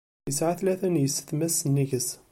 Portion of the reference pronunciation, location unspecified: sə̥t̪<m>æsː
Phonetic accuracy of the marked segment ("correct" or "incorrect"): correct